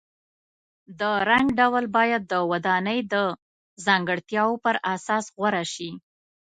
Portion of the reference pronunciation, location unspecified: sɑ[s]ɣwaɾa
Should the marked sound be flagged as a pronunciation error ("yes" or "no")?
no